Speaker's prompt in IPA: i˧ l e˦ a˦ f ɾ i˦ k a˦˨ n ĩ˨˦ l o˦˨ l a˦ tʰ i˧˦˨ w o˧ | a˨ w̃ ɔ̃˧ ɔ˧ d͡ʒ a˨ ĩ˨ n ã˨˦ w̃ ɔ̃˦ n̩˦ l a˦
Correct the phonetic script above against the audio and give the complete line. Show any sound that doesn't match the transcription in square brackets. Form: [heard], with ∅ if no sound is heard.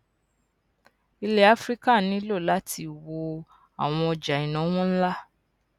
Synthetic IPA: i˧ l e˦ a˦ f ɾ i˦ k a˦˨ n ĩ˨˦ l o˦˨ l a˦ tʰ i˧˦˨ w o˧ | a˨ w̃ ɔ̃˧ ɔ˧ d͡ʒ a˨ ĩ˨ n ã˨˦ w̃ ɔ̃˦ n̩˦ l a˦